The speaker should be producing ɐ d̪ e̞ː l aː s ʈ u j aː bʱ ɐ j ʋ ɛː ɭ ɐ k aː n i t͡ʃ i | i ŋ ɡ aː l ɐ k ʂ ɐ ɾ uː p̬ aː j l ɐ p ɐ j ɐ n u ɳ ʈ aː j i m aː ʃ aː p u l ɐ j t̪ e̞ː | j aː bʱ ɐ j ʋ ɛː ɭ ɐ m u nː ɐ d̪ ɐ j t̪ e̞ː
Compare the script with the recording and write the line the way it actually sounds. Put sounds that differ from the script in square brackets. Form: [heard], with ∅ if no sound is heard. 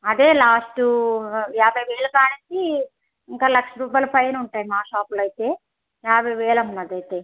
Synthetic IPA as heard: ɐ d̪ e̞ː l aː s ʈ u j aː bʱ ɐ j ʋ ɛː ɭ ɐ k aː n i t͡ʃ i | i ŋ [k] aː l ɐ k ʂ ɐ ɾ uː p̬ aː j l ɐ p ɐ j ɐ n u ɳ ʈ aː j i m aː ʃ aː p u l ɐ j t̪ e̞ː | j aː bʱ ɐ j ʋ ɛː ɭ ɐ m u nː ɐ d̪ ɐ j t̪ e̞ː